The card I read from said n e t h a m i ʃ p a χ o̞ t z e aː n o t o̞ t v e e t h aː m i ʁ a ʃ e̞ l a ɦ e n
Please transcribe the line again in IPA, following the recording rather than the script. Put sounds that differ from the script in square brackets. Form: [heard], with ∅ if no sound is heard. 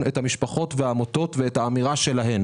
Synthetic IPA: n e t h a m i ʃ p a χ o̞ t [v] e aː [m] o t o̞ t v e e t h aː m i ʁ a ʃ e̞ l a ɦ e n